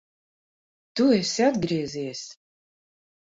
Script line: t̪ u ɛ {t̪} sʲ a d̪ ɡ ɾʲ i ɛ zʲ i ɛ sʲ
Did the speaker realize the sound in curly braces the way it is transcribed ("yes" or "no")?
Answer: no